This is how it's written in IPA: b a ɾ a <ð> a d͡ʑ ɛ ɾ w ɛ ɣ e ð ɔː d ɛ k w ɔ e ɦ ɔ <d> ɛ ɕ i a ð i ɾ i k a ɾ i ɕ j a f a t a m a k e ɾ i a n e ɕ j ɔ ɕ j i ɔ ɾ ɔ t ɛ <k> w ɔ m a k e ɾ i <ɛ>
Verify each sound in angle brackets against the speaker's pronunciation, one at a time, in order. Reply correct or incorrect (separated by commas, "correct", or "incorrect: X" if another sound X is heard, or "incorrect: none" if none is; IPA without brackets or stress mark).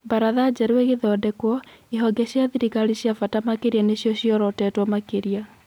correct, incorrect: ɡ, incorrect: t, incorrect: a